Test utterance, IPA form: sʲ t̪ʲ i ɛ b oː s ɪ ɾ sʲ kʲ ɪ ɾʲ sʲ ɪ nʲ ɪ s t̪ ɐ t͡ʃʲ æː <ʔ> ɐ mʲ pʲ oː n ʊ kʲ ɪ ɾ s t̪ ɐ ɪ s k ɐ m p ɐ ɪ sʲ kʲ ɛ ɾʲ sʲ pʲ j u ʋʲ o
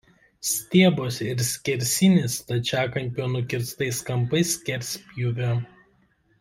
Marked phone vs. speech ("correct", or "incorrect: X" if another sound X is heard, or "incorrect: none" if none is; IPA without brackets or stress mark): incorrect: k